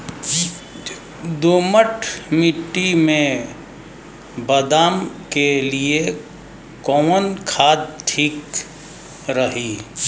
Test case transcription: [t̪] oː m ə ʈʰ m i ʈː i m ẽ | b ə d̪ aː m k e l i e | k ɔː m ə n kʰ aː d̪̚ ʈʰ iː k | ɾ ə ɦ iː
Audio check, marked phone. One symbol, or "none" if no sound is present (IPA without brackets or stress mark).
d̪